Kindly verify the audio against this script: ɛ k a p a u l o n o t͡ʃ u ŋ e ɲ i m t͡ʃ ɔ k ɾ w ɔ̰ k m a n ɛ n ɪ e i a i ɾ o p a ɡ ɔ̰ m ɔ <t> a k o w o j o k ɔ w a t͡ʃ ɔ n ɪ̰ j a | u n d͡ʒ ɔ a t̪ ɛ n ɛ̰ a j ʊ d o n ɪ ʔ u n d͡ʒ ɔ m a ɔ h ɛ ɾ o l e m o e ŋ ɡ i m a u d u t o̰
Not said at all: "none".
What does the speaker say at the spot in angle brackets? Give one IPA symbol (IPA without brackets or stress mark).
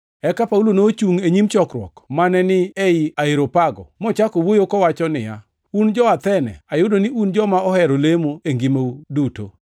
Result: t͡ʃ